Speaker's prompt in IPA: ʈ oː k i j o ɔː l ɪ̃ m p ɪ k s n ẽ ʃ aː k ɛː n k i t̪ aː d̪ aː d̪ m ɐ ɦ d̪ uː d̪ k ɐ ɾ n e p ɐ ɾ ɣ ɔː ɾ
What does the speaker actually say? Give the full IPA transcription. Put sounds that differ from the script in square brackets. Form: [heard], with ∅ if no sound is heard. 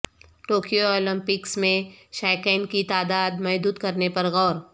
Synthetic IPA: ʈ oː k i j o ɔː l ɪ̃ m p ɪ k s [m] ẽ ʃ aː k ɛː n k i t̪ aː d̪ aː d̪ m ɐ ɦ d̪ uː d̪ k ɐ ɾ n e p ɐ ɾ ɣ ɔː ɾ